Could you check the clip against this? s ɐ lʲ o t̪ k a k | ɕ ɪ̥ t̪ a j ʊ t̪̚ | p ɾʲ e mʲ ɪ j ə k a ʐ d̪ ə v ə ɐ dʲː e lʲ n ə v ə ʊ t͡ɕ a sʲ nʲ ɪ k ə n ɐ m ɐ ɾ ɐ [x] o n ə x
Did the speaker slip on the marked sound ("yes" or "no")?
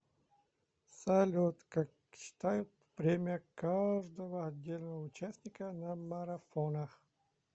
yes